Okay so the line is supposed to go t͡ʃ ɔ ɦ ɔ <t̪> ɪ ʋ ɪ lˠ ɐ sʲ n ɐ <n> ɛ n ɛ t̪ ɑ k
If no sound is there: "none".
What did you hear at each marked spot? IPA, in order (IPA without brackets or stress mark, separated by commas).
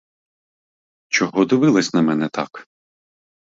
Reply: d̪, m